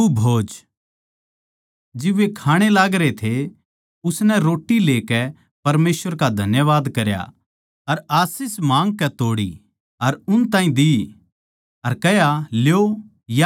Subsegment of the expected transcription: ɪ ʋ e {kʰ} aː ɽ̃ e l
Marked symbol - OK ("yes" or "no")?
yes